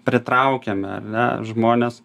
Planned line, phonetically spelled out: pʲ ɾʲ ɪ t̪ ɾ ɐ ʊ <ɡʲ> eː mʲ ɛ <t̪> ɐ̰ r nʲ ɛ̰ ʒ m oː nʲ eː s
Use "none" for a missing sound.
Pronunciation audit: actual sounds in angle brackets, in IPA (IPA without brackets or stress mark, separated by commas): kʲ, none